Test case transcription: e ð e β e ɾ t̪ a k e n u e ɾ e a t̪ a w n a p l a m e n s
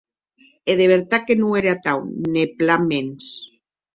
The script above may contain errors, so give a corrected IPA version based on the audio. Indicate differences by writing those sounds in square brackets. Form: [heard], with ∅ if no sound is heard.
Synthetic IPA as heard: e ð e β e ɾ t̪ a k e n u e ɾ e a t̪ a w n [e] p l a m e n s